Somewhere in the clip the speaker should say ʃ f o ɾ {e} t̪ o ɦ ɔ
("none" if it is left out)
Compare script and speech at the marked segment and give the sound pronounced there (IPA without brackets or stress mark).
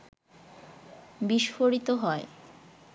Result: i